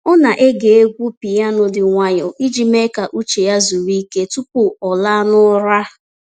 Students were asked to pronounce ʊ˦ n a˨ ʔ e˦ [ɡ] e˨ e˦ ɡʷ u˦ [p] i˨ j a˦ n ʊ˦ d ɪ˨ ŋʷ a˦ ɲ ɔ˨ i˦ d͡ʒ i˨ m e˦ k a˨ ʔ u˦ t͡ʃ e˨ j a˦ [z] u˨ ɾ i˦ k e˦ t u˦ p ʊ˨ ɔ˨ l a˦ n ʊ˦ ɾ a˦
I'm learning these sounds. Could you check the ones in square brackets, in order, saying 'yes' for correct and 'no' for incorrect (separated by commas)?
yes, yes, yes